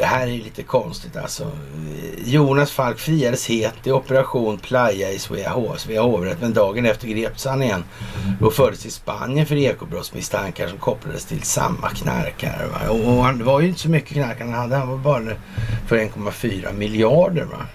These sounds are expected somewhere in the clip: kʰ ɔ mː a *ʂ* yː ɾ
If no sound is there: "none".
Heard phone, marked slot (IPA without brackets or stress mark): f